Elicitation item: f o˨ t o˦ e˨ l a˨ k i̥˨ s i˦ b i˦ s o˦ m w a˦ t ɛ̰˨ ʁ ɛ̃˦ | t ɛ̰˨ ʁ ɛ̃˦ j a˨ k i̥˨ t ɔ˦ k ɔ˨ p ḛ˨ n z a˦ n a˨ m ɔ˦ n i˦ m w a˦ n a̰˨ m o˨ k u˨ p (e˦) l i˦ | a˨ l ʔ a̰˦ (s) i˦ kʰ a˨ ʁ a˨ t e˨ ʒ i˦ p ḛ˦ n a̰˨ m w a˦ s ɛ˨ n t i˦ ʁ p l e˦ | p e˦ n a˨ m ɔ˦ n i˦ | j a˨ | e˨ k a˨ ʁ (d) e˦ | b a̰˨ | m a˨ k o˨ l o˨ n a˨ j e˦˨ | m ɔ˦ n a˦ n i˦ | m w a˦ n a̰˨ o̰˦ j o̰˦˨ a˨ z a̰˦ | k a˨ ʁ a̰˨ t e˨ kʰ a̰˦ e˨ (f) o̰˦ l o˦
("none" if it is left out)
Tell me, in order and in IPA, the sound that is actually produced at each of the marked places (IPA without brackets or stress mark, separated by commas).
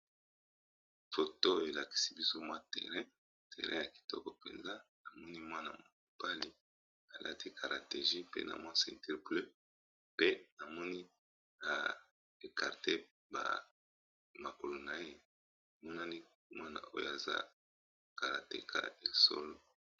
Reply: a˦, t, t, s